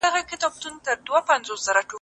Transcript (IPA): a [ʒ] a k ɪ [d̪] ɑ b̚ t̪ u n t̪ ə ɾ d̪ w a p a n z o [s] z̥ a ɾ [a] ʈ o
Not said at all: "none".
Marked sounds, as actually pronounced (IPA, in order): ɣ, t̪, s, a

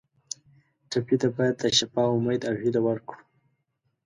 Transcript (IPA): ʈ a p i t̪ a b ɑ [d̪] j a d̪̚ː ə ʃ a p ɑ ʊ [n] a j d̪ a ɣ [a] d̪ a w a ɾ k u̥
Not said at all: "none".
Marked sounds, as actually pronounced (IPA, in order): none, m, i

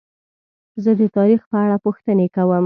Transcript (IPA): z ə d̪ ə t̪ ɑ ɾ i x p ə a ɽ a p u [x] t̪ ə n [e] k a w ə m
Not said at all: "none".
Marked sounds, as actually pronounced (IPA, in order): x, e

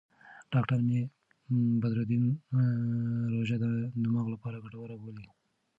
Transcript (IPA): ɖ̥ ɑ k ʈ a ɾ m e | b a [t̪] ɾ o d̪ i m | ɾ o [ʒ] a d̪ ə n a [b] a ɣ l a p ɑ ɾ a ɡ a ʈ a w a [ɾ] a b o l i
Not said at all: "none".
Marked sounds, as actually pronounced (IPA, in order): d̪, ʒ, m, ɾ

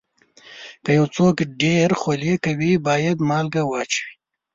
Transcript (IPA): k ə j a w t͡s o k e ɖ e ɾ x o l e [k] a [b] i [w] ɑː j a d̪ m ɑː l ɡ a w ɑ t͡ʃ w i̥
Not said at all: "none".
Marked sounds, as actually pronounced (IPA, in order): k, w, b

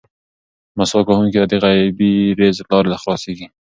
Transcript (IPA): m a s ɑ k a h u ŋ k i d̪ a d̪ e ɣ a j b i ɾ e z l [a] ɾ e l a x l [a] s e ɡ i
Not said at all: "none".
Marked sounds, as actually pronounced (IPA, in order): ɑ, ɑ

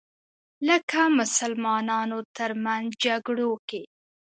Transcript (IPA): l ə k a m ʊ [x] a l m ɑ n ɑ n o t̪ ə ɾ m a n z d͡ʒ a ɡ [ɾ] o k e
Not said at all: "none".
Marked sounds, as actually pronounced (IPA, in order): s, ɽ

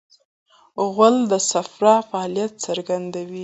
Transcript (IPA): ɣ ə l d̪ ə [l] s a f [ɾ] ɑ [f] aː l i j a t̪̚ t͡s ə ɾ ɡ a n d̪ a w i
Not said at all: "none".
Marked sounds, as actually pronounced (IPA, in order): none, ɾ, f

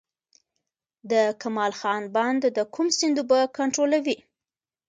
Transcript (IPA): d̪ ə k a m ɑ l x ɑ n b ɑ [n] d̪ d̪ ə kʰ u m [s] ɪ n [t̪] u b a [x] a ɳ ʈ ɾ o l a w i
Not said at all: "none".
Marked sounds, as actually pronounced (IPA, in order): n, s, d̪, k

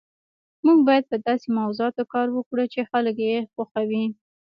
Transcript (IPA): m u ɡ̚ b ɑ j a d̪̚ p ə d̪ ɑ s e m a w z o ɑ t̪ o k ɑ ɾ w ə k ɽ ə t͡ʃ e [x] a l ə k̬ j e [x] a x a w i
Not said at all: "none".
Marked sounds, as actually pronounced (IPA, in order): x, x

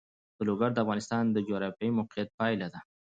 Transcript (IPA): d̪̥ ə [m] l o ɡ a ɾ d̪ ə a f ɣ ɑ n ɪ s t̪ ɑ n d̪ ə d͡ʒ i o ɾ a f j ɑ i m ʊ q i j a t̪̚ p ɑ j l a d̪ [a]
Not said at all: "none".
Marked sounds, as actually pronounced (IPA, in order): none, a

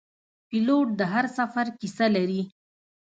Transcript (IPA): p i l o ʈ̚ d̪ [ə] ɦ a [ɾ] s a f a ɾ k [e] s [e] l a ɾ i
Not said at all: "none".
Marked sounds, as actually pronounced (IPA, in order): ə, ɾ, i, a

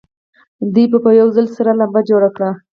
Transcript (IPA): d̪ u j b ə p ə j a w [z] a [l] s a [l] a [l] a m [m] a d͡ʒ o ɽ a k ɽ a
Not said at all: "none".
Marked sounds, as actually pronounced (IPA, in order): z, l, ɾ, l, b

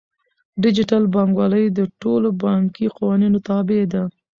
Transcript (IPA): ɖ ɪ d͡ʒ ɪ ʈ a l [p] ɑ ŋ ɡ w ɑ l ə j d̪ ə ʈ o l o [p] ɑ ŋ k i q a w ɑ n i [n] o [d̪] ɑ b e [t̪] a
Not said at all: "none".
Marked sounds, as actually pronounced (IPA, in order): b, b, n, t̪, d̪

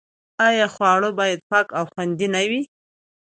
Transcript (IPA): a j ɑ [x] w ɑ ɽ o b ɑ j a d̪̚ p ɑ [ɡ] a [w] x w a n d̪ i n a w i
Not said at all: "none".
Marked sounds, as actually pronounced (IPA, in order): x, k, w

